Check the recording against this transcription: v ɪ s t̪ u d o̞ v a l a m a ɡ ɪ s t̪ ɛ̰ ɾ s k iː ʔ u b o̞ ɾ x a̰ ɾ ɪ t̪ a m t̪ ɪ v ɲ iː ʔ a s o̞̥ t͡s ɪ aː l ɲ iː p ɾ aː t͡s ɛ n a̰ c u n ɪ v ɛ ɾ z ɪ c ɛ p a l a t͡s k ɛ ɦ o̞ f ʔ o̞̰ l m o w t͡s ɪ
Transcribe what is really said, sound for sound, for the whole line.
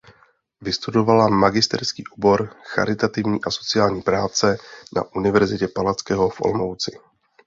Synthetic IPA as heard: v ɪ s t̪ u d o̞ v a l a m a ɡ ɪ s t̪ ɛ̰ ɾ s k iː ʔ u b o̞ ɾ x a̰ ɾ ɪ t̪ a t̪ ɪ v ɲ iː ʔ a s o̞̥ t͡s ɪ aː l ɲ iː p ɾ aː t͡s ɛ n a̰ ʔ u n ɪ v ɛ ɾ z ɪ c ɛ p a l a t͡s k ɛ ɦ o̞ f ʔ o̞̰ l m o w t͡s ɪ

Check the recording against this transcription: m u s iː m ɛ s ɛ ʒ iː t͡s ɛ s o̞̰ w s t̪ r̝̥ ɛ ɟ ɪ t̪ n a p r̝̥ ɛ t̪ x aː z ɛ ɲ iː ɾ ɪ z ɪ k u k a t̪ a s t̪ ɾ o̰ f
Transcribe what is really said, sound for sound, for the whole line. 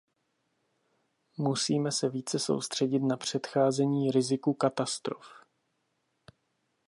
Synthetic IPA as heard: m u s iː m ɛ s ɛ v iː t͡s ɛ s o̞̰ w s t̪ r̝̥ ɛ ɟ ɪ t̪ n a p r̝̥ ɛ t̪ x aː z ɛ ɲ iː ɾ ɪ z ɪ k u k a t̪ a s t̪ ɾ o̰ f

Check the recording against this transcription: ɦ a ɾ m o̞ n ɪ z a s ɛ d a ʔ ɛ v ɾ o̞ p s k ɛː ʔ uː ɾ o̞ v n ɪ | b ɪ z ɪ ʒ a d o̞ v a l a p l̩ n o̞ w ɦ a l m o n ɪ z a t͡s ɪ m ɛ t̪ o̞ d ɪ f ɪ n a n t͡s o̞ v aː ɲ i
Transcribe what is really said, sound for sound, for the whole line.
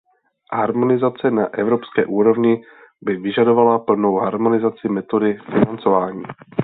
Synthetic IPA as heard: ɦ a ɾ m o̞ n ɪ z a t͡s ɛ n a ʔ ɛ v ɾ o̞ p s k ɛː ʔ uː ɾ o̞ v ɲ ɪ | b ɪ v ɪ ʒ a d o̞ v a l a p l̩ n o̞ w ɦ a ɾ m o n ɪ z a t͡s ɪ m ɛ t̪ o̞ d ɪ f ɪ n a n t͡s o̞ v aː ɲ iː

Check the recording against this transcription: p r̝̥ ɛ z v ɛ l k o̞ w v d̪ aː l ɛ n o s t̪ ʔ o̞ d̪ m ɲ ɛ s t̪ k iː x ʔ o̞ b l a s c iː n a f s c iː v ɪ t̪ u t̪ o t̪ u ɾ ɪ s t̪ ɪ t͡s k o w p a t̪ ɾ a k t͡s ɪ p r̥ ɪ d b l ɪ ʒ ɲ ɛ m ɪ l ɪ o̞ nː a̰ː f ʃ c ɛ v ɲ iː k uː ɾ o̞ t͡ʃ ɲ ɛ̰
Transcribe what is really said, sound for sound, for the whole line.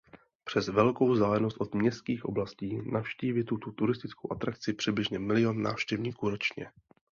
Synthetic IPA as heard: p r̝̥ ɛ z v ɛ l k o̞ w z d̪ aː l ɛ n o s t̪ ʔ o̞ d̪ m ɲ ɛ s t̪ k iː x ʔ o̞ b l a s c iː n a f ʃ c iː v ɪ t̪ u t̪ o t̪ u ɾ ɪ s t̪ ɪ t͡s k o w ʔ a t̪ ɾ a k t͡s ɪ p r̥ ɪ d b l ɪ ʒ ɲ ɛ m ɪ l ɪ o̞ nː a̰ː f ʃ c ɛ v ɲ iː k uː ɾ o̞ t͡ʃ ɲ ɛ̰

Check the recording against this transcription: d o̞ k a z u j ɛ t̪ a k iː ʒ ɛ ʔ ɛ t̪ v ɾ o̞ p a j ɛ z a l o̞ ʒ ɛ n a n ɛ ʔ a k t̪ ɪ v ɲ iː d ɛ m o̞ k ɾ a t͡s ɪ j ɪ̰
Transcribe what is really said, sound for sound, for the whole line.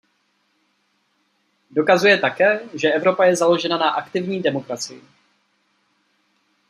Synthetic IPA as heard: d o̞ k a z u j ɛ t̪ a k ɛː ʒ ɛ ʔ ɛ v ɾ o̞ p a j ɛ z a l o̞ ʒ ɛ n a n a ʔ a k t̪ ɪ v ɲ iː d ɛ m o̞ k ɾ a t͡s ɪ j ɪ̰

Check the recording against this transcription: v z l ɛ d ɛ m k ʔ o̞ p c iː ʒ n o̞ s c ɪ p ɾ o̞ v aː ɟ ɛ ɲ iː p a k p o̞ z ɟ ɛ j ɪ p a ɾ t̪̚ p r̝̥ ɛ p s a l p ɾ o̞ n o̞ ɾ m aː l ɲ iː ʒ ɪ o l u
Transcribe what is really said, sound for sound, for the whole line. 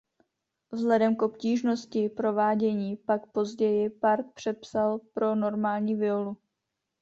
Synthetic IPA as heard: v z l ɛ d ɛ m k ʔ o̞ p c iː ʒ n o̞ s c ɪ p ɾ o̞ v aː ɟ ɛ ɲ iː p a k p o̞ z ɟ ɛ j ɪ p a ɾ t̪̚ p r̝̥ ɛ p s a l p ɾ o̞ n o̞ ɾ m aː l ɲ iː v ɪ o l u

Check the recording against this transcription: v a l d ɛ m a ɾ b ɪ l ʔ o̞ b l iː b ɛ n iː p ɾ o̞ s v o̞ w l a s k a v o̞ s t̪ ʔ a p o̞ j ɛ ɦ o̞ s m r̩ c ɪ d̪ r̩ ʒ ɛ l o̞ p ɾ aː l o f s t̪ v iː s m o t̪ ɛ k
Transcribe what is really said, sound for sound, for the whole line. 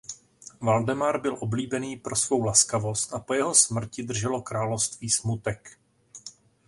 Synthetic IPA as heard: v a l d ɛ m a ɾ b ɪ l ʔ o̞ b l iː b ɛ n iː p ɾ o̞ s v o̞ w l a s k a v o̞ s t̪ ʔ a p o̞ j ɛ ɦ o̞ s m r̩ c ɪ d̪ r̩ ʒ ɛ l o̞ k ɾ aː l o f s t̪ v iː s m u t̪ ɛ k

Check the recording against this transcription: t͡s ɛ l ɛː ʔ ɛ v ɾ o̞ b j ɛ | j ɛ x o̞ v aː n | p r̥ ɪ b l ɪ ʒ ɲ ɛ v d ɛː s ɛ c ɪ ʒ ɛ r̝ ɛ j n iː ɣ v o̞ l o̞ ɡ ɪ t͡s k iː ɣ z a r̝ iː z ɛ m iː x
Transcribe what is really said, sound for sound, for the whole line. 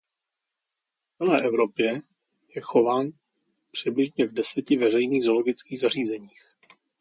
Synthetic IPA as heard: t͡s ɛ l ɛː ʔ ɛ v ɾ o̞ p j ɛ | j ɛ x o̞ v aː n | p r̥ ɪ b l ɪ ʒ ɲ ɛ v d ɛ s ɛ c ɪ v ɛ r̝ ɛ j n iː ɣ z o̞ l o̞ ɡ ɪ t͡s k iː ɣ z a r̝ iː z ɛ ɲ iː x

